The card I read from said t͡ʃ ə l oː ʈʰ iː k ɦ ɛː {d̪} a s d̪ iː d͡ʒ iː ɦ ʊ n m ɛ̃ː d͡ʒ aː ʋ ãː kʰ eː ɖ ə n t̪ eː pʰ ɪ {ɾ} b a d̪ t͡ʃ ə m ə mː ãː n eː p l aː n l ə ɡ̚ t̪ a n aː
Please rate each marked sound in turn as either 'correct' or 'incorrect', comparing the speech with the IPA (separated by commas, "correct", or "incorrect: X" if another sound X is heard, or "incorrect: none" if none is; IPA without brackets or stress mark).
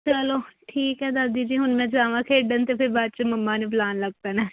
correct, correct